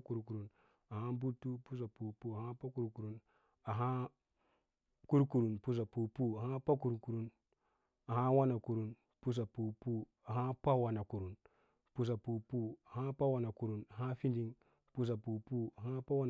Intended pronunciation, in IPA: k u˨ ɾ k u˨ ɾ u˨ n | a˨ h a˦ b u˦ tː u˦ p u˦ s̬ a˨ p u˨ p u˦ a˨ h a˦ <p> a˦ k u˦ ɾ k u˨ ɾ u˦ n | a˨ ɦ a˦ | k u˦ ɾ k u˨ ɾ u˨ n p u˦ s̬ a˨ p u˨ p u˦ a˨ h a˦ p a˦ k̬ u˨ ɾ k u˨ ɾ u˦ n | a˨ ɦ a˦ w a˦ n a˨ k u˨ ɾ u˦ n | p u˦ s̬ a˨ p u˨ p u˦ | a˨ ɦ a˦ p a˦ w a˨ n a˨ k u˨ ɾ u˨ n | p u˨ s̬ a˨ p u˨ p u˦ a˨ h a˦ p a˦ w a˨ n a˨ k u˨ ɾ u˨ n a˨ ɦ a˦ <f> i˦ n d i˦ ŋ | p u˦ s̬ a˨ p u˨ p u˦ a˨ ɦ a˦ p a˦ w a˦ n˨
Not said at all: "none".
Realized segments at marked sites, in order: p, f

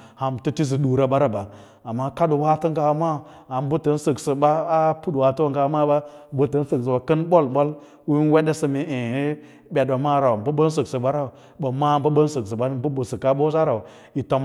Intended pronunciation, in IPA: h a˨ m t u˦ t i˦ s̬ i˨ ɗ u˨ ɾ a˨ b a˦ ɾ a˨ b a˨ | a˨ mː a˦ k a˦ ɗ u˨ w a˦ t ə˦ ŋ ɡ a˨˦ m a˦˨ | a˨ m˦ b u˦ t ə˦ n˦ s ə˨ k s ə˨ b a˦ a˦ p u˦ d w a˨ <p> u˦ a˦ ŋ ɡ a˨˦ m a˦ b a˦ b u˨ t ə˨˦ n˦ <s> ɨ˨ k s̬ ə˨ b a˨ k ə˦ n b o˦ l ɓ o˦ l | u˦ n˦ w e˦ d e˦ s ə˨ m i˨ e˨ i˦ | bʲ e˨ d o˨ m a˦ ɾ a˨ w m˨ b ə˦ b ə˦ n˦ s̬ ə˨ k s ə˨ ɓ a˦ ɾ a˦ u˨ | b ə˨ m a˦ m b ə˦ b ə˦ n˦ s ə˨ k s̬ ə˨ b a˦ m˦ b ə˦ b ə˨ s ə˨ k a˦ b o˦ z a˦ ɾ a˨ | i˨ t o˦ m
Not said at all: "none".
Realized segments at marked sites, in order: t, s

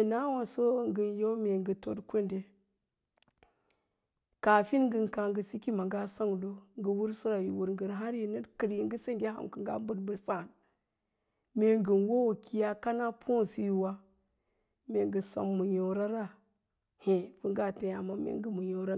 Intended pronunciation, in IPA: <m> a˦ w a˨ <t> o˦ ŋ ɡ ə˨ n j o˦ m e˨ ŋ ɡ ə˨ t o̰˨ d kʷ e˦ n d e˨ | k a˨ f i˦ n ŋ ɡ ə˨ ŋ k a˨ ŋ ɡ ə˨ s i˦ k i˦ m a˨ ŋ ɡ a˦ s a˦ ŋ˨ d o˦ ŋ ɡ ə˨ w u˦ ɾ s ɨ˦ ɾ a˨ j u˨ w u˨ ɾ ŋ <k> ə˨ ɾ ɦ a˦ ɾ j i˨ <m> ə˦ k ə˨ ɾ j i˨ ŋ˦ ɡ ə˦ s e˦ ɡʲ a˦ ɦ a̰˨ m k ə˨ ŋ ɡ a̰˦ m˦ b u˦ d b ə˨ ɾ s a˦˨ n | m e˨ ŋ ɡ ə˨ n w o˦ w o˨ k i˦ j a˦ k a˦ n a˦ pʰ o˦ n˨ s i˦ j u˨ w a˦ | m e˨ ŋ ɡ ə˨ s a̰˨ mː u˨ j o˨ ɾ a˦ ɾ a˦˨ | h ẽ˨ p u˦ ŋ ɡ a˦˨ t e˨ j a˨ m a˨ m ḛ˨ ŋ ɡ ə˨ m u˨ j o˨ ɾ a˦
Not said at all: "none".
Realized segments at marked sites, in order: n, s, ɡ, n

